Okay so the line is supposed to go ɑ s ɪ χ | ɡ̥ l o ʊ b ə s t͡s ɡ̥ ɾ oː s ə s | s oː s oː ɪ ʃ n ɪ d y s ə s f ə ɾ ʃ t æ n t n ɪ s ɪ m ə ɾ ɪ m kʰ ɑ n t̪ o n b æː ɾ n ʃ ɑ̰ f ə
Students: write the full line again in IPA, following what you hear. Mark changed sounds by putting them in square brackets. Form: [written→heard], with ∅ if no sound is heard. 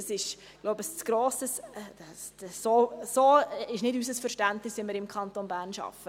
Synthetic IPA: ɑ s ɪ [χ→ʃ] | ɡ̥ l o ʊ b ə s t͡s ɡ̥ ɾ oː s ə s | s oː s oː ɪ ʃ n ɪ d y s ə s f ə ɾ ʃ t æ n t n ɪ s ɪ m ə ɾ ɪ m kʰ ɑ n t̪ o n b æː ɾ n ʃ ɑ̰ f ə